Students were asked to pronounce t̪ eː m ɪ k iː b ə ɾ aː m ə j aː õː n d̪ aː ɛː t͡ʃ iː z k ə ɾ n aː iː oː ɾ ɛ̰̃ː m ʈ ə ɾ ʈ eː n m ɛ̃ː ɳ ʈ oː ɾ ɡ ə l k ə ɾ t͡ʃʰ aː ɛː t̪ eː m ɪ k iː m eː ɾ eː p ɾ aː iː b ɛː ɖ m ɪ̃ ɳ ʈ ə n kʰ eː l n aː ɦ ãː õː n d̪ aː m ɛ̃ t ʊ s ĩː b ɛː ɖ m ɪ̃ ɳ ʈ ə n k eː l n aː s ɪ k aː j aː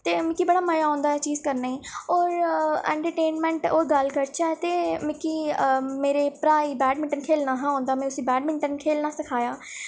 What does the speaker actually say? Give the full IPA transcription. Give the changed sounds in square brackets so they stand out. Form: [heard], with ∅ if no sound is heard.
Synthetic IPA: t̪ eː m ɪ k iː b ə [ɽ] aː m ə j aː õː n d̪ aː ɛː t͡ʃ iː z k ə ɾ n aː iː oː ɾ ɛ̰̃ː [ɳ] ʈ ə ɾ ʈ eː n m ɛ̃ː ɳ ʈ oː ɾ ɡ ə l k ə ɾ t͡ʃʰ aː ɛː t̪ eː m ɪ k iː m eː ɾ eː p ɾ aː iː b ɛː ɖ m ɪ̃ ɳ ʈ ə n kʰ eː l n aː ɦ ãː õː n d̪ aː m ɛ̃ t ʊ s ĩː b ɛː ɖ m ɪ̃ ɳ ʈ ə n [kʰ] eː l n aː s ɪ [kʰ] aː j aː